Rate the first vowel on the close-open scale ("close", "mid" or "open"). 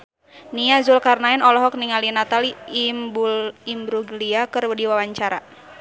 close